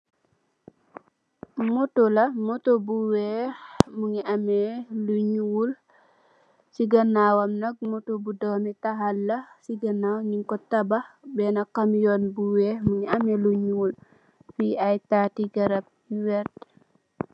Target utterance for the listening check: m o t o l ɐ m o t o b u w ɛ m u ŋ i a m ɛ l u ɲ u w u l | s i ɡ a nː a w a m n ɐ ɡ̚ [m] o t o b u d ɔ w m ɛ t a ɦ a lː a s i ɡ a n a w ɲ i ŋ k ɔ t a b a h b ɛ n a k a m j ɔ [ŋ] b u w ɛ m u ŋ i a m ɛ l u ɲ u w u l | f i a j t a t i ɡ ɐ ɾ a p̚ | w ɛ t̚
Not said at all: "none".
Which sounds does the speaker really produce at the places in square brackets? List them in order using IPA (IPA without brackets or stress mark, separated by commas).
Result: m, n